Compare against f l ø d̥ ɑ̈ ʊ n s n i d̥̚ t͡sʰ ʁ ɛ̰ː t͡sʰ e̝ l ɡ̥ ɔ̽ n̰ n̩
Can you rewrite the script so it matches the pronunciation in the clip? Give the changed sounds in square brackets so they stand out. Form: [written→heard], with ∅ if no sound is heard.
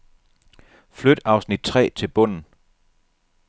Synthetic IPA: f l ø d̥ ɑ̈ ʊ [n→∅] s n i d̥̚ t͡sʰ ʁ ɛ̰ː t͡sʰ e̝ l [ɡ̥→b̥] ɔ̽ n̰ n̩